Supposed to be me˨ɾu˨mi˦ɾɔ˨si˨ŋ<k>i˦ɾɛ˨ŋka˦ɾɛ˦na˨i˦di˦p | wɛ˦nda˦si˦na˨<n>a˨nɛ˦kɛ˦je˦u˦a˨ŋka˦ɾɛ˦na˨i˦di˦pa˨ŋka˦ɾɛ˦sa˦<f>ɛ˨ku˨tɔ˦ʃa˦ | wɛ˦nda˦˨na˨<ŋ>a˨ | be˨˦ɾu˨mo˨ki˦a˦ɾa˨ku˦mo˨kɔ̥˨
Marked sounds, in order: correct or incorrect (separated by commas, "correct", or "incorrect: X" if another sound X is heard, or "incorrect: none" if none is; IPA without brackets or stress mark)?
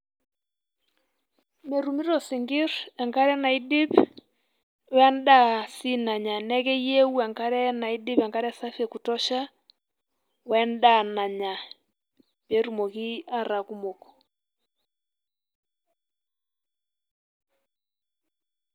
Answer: incorrect: ɡ, incorrect: ɲ, correct, incorrect: ɲ